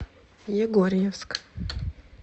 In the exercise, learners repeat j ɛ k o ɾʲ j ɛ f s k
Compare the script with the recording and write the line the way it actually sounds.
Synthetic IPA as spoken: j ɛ ɡ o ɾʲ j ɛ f s k